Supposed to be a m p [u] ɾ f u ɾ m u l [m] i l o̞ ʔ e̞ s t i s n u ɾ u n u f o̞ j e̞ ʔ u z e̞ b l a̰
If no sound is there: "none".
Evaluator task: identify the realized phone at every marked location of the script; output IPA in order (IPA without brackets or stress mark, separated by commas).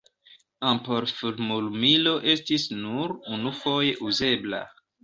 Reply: o, m